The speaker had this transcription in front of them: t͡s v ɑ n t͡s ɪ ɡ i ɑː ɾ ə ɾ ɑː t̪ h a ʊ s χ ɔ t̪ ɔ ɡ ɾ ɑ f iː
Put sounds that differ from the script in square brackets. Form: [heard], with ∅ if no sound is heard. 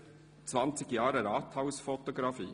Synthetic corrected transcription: t͡s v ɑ n t͡s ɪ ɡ [j] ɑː ɾ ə ɾ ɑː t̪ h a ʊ s [f] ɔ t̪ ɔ ɡ ɾ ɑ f iː